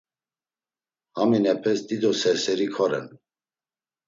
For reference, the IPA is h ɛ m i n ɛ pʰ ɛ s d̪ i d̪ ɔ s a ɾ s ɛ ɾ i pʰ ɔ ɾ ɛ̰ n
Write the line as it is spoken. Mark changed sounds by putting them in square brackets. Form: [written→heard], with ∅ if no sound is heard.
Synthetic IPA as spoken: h [ɛ→a] m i n ɛ pʰ ɛ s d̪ i d̪ ɔ s [a→ɛ] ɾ s ɛ ɾ i [pʰ→kʰ] ɔ ɾ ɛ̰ n